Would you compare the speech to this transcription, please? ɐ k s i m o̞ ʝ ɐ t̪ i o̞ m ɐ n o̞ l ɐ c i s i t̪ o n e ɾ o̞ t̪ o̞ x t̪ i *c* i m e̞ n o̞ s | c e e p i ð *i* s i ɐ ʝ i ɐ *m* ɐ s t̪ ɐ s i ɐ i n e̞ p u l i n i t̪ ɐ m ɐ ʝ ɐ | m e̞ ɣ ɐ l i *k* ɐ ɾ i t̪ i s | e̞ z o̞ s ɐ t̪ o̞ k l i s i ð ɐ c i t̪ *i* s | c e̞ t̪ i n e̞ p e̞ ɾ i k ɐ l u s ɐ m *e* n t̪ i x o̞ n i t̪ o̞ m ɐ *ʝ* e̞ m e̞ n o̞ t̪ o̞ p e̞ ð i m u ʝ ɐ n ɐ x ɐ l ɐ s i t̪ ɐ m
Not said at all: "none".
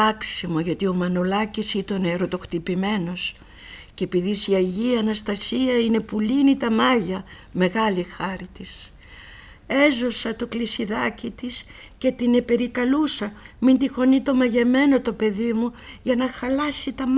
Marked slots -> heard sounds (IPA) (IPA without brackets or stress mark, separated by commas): p, i, n, x, i, i, ʝ